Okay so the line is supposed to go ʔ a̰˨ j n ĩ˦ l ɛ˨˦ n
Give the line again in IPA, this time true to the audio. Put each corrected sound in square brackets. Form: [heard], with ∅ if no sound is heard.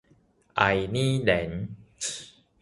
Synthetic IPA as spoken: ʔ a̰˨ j n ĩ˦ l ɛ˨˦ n